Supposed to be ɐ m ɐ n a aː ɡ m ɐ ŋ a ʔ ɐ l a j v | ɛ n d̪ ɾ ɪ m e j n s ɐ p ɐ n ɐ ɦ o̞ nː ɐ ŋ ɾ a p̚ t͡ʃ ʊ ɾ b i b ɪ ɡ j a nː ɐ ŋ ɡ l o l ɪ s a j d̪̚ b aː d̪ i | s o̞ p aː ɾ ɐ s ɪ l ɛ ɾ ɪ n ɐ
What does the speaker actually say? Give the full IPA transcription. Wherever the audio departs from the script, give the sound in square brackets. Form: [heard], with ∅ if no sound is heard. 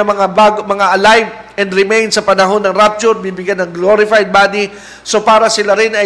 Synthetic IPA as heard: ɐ m ɐ [ŋ] a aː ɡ m ɐ ŋ a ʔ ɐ l a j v | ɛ n d̪ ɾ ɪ m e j n s ɐ p ɐ n ɐ ɦ o̞ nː ɐ ŋ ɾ a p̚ t͡ʃ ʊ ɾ b i b ɪ ɡ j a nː ɐ ŋ ɡ l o [ɾ] ɪ [f] a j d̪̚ b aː d̪ i | s o̞ p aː ɾ ɐ s ɪ l [a] ɾ ɪ n ɐ